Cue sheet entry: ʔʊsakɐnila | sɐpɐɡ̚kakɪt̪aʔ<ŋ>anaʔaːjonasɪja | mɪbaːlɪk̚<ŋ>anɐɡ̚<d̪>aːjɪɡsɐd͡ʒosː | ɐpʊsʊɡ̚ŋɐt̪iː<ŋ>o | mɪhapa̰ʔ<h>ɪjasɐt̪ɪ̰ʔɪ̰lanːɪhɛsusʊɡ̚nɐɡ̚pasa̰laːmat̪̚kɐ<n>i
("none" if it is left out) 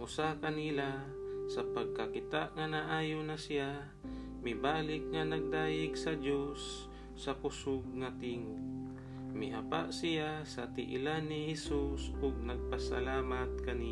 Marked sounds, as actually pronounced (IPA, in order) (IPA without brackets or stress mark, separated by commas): ŋ, ŋ, d̪, ŋ, s, n